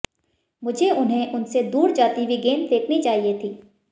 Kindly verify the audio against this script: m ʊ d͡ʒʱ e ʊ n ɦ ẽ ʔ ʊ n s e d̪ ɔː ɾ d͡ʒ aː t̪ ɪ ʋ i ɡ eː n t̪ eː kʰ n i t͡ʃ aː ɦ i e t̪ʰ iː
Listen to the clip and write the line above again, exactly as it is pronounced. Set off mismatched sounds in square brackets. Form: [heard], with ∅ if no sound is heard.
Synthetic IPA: m ʊ d͡ʒʱ e ʊ n ɦ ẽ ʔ ʊ n s e d̪ [uː] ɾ d͡ʒ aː t̪ [i] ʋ i ɡ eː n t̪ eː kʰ n i t͡ʃ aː ɦ i e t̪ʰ iː